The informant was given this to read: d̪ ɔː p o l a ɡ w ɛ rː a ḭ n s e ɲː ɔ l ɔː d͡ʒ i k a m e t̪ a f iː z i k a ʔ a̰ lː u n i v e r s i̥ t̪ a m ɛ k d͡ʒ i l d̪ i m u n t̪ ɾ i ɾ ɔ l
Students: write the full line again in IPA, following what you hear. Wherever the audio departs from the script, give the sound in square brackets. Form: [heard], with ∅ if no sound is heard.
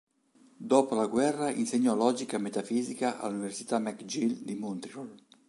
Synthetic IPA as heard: d̪ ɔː p o l a ɡ w ɛ rː a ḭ n s e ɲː ɔ l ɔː d͡ʒ i k a m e t̪ a f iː z i k a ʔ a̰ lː u n i v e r s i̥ t̪ a m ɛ k d͡ʒ i l d̪ i m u n t̪ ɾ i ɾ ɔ l